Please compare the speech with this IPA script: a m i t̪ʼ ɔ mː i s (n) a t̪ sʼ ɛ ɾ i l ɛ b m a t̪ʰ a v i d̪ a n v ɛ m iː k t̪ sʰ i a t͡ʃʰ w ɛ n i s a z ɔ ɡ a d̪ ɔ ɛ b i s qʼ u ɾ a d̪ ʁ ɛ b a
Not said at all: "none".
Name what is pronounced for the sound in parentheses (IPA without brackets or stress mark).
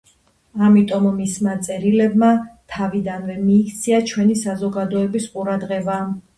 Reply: m